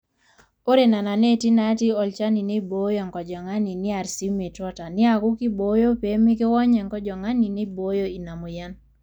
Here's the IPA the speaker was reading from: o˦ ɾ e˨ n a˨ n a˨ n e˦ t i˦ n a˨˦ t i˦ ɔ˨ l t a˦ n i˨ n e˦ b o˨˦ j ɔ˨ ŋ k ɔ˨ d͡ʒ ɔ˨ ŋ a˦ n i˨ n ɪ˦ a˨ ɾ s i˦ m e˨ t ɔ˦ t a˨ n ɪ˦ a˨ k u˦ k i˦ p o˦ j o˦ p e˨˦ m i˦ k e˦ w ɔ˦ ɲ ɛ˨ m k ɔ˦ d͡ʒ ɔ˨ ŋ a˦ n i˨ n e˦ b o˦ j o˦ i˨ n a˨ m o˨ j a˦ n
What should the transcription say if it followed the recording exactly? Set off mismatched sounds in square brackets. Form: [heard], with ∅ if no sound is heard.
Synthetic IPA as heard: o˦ ɾ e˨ n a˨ n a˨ n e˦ t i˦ n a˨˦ t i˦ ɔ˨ l [t͡ʃ] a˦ n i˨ n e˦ b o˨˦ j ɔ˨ ŋ k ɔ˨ d͡ʒ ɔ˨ ŋ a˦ n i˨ n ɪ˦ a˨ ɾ s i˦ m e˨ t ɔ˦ t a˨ n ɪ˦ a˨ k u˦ k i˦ [b] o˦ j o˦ p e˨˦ m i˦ k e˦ w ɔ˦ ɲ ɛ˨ [ŋ] k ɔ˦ d͡ʒ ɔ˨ ŋ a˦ n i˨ n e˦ b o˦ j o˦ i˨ n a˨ m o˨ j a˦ n